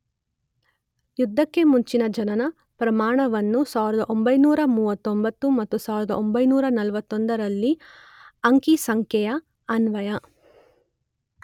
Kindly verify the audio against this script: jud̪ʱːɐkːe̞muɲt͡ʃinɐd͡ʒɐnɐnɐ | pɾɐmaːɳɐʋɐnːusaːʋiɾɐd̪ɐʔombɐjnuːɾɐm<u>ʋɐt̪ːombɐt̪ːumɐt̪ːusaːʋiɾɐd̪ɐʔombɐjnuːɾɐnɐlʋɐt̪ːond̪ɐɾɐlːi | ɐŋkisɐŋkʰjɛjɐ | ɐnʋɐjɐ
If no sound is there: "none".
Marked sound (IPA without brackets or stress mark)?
uː